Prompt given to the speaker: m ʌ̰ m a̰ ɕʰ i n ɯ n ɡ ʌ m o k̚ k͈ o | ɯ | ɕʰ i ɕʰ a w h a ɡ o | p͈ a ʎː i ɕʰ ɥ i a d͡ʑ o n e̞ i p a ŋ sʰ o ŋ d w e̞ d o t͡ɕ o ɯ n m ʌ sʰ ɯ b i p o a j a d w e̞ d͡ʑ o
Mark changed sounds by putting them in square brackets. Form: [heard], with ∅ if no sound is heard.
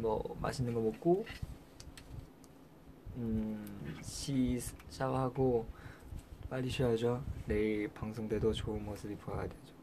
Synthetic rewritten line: m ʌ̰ m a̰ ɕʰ i n ɯ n ɡ ʌ m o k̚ k͈ o | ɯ | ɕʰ i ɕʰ a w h a ɡ o | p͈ a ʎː i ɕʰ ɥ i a d͡ʑ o n e̞ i p a ŋ sʰ o ŋ d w e̞ d o t͡ɕ o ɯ n m ʌ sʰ ɯ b i p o a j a d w e̞ d͡ʑ o